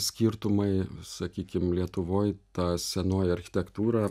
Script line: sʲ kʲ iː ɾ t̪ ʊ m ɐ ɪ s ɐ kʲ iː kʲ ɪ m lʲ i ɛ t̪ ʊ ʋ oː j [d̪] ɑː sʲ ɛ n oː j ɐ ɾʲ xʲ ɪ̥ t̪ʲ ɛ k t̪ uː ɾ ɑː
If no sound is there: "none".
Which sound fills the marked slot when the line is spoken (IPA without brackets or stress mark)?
t̪